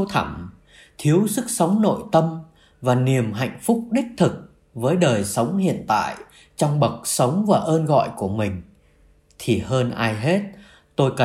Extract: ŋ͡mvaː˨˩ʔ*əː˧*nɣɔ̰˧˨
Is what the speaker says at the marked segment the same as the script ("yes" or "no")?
yes